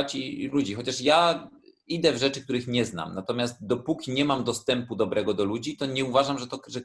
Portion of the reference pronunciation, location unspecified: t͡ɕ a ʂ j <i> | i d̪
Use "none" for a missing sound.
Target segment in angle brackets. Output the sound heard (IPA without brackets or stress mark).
a